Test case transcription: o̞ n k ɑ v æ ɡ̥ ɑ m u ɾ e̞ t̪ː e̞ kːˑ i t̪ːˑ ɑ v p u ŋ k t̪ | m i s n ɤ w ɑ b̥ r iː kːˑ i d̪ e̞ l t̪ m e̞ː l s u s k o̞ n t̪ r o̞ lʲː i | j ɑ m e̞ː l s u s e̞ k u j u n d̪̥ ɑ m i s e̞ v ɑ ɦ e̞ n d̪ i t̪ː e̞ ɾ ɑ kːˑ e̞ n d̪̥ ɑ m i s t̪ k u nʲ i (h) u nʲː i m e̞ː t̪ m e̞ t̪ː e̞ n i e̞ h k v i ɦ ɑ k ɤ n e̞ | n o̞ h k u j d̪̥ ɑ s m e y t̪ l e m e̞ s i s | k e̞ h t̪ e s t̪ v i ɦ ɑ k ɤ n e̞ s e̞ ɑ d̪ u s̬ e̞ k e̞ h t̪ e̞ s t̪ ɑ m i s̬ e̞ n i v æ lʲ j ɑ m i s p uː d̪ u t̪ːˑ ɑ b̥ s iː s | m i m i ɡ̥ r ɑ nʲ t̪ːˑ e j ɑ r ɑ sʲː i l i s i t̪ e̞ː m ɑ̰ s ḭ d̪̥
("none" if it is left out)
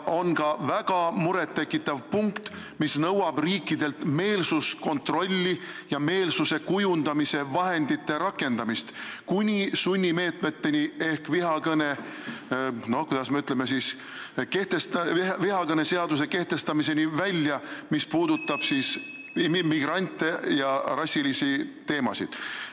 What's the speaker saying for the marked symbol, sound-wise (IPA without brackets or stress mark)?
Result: s